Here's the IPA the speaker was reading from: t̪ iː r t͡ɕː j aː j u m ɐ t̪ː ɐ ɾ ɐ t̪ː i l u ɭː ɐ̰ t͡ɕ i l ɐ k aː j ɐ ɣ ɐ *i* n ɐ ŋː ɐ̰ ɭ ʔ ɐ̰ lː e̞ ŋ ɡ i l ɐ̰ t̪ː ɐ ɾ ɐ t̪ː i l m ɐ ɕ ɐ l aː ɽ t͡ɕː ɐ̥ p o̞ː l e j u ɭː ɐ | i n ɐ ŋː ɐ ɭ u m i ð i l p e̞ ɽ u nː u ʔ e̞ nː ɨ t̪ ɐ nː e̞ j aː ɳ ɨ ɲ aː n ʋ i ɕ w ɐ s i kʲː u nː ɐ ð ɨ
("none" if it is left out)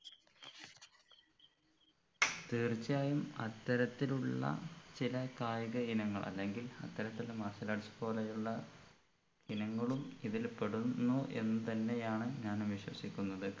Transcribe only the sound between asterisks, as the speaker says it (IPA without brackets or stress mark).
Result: i